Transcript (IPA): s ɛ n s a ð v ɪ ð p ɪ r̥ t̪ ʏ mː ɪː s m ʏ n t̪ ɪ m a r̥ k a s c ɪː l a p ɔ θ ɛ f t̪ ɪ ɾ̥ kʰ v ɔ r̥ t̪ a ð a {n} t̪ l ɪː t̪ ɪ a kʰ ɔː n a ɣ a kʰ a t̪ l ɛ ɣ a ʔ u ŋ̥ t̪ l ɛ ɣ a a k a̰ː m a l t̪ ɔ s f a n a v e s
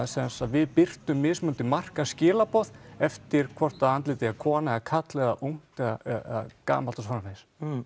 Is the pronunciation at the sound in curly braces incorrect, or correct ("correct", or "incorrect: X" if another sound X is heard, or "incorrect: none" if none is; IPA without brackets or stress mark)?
correct